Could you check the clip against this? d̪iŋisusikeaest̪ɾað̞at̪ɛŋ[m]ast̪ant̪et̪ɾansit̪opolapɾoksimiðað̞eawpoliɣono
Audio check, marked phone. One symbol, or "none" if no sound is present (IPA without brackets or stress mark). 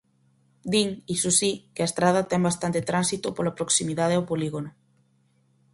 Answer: b